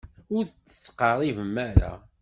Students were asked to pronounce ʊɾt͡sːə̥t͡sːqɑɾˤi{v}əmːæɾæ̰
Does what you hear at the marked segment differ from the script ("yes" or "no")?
no